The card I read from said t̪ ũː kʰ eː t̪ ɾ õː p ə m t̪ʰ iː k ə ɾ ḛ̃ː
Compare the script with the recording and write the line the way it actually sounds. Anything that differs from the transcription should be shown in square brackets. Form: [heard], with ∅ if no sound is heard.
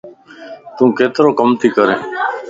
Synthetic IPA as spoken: t̪ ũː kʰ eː t̪ ɾ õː [k] ə m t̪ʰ iː k ə ɾ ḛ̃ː